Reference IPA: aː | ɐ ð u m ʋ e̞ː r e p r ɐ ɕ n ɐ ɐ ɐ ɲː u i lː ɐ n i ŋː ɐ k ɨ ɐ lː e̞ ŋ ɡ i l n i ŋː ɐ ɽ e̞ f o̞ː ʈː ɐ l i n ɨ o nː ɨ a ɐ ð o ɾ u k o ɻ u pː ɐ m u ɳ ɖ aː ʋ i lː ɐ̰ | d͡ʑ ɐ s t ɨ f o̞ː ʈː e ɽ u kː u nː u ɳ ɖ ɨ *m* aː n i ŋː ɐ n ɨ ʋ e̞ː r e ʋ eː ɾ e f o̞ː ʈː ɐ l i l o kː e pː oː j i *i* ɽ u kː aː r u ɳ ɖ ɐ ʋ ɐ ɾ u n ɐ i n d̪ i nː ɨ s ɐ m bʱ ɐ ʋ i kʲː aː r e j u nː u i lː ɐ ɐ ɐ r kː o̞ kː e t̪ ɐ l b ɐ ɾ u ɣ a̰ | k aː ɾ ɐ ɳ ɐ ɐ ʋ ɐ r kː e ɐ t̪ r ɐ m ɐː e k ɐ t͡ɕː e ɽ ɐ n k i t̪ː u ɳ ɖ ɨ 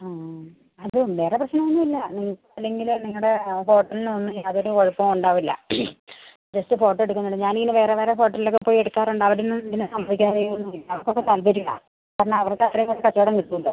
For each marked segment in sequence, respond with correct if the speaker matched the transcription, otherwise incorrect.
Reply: incorrect, incorrect

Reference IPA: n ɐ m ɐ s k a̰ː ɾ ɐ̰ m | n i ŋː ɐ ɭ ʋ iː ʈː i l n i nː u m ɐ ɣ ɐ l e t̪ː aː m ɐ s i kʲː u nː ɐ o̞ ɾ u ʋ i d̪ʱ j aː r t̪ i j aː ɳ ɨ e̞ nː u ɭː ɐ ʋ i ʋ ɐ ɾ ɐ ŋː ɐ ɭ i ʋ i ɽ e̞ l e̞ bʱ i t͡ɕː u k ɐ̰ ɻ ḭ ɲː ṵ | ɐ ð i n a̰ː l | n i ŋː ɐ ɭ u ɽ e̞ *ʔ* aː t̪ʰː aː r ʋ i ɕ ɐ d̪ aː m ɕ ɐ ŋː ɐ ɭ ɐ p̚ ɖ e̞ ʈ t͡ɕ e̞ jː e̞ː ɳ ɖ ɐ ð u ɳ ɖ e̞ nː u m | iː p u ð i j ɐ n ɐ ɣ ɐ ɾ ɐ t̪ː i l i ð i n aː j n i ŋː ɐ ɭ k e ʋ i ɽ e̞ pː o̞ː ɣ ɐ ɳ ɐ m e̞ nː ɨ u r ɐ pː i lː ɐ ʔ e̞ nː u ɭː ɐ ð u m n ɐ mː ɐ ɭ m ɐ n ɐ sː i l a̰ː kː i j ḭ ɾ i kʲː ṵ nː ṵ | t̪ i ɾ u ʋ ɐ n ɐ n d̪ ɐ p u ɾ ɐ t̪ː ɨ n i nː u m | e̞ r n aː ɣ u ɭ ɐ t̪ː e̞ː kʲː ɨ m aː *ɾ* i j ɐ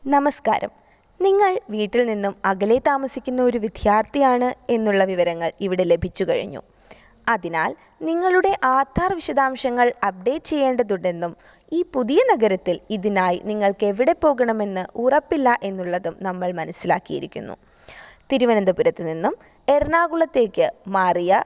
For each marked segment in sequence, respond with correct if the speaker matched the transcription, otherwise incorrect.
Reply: correct, incorrect

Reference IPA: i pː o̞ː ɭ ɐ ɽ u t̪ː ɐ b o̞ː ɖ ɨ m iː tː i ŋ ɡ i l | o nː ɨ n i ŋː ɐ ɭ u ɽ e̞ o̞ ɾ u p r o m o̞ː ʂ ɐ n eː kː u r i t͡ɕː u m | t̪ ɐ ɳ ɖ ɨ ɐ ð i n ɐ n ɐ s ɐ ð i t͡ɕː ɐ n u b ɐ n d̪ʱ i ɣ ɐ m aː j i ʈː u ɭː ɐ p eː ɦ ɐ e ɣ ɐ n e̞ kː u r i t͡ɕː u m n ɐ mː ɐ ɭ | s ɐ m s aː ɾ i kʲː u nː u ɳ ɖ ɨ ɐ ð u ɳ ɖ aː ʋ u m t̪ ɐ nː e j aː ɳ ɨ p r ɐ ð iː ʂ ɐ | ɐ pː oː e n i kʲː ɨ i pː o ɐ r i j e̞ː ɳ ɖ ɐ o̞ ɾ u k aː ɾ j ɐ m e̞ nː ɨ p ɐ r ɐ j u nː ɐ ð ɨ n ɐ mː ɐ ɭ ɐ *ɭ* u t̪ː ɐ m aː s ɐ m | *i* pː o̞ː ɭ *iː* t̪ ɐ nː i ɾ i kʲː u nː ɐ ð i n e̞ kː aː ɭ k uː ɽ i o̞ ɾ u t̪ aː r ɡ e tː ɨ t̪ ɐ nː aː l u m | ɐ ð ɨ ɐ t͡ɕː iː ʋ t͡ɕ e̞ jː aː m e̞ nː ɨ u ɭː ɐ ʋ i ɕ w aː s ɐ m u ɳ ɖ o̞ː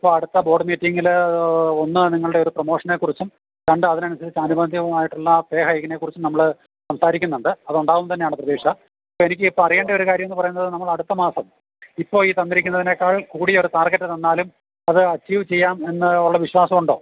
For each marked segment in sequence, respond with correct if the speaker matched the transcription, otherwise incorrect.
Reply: incorrect, correct, correct

